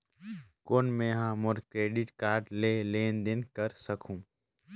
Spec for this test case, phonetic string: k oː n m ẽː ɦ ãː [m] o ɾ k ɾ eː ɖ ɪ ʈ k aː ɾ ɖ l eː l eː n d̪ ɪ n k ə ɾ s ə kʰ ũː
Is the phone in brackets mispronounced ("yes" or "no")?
no